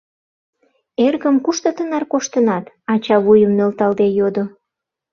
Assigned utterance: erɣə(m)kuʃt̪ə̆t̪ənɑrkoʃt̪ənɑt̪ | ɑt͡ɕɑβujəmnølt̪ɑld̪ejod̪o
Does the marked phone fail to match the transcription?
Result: no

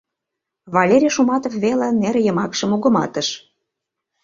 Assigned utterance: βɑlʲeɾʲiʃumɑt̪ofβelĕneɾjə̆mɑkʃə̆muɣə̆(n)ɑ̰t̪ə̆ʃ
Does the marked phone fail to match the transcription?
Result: yes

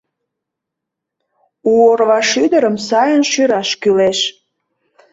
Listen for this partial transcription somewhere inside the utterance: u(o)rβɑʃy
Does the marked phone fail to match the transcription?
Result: no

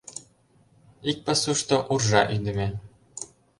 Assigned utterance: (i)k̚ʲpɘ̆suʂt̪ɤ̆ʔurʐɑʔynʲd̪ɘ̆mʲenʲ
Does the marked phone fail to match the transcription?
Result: no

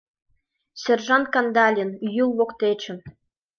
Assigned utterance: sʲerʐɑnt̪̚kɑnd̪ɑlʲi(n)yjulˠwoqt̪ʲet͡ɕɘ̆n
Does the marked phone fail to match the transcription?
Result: no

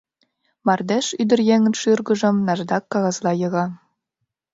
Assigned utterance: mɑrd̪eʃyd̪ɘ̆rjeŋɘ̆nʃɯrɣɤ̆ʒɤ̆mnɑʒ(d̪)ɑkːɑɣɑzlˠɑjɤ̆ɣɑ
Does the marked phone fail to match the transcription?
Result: no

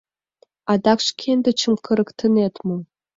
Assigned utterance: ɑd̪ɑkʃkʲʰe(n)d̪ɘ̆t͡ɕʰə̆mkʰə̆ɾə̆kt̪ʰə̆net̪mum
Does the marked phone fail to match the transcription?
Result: no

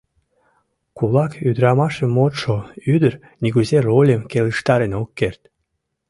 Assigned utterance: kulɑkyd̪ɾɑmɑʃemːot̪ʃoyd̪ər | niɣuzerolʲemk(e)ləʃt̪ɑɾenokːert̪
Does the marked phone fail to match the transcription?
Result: no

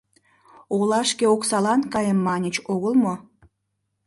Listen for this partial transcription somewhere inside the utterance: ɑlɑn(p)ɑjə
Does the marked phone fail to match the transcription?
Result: yes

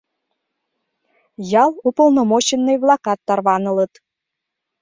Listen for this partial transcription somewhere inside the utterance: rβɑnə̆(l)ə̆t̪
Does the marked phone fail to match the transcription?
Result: no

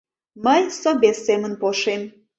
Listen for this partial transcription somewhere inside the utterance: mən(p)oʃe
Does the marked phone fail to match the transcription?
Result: no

